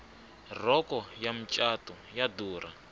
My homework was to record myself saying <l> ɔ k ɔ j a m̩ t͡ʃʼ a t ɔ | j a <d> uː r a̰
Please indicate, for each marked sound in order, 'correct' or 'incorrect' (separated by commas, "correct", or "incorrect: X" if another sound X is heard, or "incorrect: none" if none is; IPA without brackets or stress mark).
incorrect: r, correct